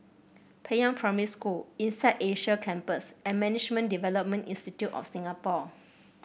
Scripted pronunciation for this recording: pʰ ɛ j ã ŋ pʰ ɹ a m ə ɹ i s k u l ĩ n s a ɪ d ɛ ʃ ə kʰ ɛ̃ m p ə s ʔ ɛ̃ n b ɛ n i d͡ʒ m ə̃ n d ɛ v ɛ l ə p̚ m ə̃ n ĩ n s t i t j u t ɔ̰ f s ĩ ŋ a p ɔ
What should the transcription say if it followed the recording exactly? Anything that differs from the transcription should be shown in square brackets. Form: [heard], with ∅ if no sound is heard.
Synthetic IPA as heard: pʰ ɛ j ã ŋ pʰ ɹ a m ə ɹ i s k u l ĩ n s a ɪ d [e] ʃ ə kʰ ɛ̃ m p ə s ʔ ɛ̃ n [m] ɛ n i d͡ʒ m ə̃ n d [i] v ɛ l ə p̚ m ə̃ n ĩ n s t i t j u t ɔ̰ f s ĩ ŋ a p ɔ